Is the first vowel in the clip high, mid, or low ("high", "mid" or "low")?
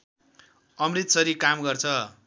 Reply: mid